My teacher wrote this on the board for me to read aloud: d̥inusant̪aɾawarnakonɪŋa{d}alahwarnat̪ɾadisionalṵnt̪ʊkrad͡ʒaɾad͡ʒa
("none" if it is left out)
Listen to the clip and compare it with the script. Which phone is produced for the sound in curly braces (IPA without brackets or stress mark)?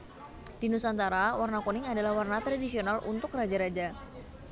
d